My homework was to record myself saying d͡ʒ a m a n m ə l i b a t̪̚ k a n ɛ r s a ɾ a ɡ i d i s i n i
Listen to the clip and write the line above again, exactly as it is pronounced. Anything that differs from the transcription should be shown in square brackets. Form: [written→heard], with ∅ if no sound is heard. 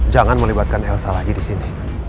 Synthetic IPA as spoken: d͡ʒ a [m→ŋ] a n m ə l i b a t̪̚ k a n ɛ [r→l] s a [ɾ→l] a ɡ i d i s i n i

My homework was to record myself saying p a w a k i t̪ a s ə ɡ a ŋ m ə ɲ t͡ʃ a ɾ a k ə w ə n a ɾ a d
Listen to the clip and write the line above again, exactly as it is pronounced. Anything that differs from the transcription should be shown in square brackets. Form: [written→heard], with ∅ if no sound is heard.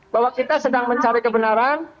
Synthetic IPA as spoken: [p→b] a w a k i t̪ a s ə [ɡ→d] a ŋ m ə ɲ t͡ʃ a ɾ [a→i] k ə [w→b] ə n a ɾ a [d→n]

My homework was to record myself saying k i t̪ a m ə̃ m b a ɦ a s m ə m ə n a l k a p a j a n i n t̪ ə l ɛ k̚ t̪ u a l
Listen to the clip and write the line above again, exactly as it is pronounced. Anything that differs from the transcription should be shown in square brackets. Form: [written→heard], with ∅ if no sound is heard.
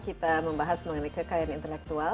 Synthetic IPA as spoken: k i t̪ a m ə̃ m b a ɦ a s m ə [m→ŋ] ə n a [l→∅] k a [p→k] a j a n i n t̪ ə l ɛ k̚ t̪ u a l

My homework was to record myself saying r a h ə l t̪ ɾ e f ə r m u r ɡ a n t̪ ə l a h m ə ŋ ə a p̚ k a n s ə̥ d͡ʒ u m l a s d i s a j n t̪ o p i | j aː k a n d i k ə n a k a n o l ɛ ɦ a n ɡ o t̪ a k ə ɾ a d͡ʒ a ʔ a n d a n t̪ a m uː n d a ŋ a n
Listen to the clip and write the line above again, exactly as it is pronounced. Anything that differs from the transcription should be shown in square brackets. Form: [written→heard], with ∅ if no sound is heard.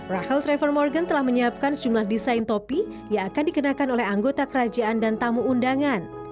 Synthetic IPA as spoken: r a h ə l t̪ ɾ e f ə r m [u→ɔ] r ɡ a n t̪ ə l a h m ə [ŋ→ɲ] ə a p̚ k a n s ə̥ d͡ʒ u m l a [s→h] d i s a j n t̪ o p i | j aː k a n d i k ə n a k a n o l ɛ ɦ a [n→ŋ] ɡ o t̪ a k ə ɾ a d͡ʒ a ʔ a n d a n t̪ a m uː n d a ŋ a n

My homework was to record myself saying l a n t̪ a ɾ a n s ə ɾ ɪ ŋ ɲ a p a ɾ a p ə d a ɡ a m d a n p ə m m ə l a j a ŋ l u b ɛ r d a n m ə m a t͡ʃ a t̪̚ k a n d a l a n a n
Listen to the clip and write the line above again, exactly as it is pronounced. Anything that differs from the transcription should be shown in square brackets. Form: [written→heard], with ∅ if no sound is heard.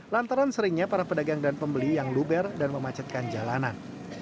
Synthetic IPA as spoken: l a n t̪ a ɾ a n s ə ɾ ɪ ŋ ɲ a p a ɾ a p ə d a ɡ a [m→ŋ] d a n p ə m [m→b] ə l [a→i] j a ŋ l u b ɛ r d a n m ə m a t͡ʃ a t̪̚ k a n [d→d͡ʒ] a l a n a n

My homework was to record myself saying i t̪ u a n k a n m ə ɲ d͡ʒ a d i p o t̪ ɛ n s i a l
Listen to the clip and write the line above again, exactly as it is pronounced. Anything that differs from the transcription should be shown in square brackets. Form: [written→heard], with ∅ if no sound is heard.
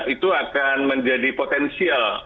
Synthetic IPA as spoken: i t̪ u a [n→∅] k a n m ə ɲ d͡ʒ a d i p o t̪ ɛ n s i a l

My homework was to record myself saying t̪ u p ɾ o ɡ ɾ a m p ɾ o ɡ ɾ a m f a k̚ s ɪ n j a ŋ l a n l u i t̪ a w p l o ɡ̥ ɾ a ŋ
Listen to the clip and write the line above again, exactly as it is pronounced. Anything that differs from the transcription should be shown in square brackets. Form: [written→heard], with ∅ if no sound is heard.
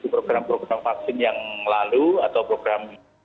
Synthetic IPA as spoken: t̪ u p ɾ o ɡ ɾ a m p ɾ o ɡ ɾ a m f a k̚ s ɪ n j a ŋ l a [n→∅] l u [i→a] t̪ a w p [l→ɾ] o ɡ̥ ɾ a [ŋ→m]

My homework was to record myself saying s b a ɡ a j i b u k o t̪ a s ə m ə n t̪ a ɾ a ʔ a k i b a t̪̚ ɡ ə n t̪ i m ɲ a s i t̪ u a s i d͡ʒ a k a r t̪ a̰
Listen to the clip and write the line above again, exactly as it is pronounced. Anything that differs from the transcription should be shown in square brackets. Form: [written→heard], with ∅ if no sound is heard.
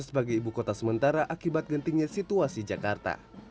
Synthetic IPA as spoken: s b a ɡ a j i b u k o t̪ a s ə m ə n t̪ a ɾ a ʔ a k i b a t̪̚ ɡ ə n t̪ i [m→ŋ] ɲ a s i t̪ u a s i d͡ʒ a k a r t̪ a̰

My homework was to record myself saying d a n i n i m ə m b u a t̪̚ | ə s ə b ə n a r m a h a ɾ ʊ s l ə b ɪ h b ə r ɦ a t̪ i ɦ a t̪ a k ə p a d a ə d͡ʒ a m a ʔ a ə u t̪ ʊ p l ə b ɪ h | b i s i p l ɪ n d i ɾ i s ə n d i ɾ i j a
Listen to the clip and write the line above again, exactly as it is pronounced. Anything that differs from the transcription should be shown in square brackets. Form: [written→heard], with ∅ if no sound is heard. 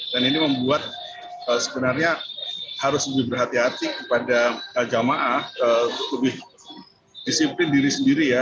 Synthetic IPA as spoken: d a n i n i m ə m b u a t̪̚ | ə s ə b ə n a r [m→ɲ] a h a ɾ ʊ s l ə b ɪ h b ə r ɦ a t̪ i ɦ a t̪ [a→i] k ə p a d a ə d͡ʒ a m a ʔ a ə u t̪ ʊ [p→k] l ə b ɪ h | [b→d] i s i p l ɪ n d i ɾ i s ə n d i ɾ i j a

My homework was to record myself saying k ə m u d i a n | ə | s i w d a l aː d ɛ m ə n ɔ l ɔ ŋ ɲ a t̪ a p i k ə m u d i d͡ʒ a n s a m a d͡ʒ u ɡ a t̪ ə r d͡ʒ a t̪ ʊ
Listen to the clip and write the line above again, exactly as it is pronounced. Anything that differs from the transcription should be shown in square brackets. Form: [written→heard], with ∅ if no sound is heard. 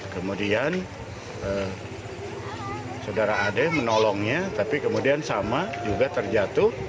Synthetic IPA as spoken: k ə m u d i a n | ə | s [i→a] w d a [l→ɾ] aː d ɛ m ə n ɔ l ɔ ŋ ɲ a t̪ a p i k ə m u d i [d͡ʒ→∅] a n s a m a d͡ʒ u ɡ a t̪ ə r d͡ʒ a t̪ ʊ

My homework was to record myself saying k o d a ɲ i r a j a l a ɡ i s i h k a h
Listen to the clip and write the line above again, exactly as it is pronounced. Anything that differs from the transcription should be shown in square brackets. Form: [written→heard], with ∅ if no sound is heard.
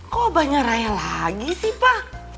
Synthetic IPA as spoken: k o [d→b] a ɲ [i→a] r a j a l a ɡ i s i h [k→p] a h

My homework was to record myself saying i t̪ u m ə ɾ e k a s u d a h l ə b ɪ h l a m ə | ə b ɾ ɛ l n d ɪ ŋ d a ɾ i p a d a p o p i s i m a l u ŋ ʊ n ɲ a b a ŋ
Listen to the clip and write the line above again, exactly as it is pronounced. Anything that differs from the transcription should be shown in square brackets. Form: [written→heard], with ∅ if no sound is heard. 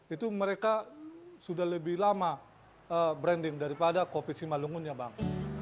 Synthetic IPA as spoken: i t̪ u m ə ɾ e k a s u d a h l ə b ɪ h l a m [ə→a] | ə b ɾ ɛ [l→∅] n d ɪ ŋ d a ɾ i p a d a [p→k] o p i s i m a l u ŋ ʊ n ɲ a b a ŋ

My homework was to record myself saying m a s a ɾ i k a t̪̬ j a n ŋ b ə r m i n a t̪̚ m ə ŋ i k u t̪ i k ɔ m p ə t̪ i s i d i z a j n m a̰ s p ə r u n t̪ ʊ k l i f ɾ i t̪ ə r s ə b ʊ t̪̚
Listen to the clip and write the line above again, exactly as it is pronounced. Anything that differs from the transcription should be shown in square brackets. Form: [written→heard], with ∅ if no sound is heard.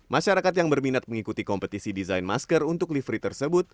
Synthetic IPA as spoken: m a [s→ʃ] a ɾ [i→a] k a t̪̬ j a [n→∅] ŋ b ə r m i n a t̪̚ m ə ŋ i k u t̪ i k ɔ m p ə t̪ i s i d i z a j n m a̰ s [p→k] ə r u n t̪ ʊ k l i f ɾ i t̪ ə r s ə b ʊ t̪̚

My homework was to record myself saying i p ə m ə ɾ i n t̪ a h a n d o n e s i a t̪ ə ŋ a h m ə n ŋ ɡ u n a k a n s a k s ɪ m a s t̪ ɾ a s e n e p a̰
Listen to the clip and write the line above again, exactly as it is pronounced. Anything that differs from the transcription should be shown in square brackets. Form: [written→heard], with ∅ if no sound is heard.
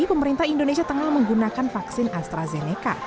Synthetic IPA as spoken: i p ə m ə ɾ i n t̪ a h [a→i] n d o n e s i a t̪ ə ŋ a h m ə [n→∅] ŋ ɡ u n a k a n [s→f] a k s ɪ [m→n] a s t̪ ɾ a [s→z] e n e [p→k] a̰

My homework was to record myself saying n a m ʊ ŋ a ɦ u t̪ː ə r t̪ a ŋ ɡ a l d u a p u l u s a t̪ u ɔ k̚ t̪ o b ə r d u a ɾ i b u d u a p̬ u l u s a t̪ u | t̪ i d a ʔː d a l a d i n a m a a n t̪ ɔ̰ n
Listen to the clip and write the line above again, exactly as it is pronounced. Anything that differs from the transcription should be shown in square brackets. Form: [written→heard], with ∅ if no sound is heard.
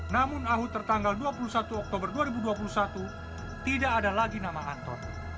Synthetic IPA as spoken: n a m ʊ [ŋ→n] a ɦ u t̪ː ə r t̪ a ŋ ɡ a l d u a p u l u s a t̪ u ɔ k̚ t̪ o b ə r d u a ɾ i b u d u a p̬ u l u s a t̪ u | t̪ i d a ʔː d a l a [d→ɡ] i n a m a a n t̪ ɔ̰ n

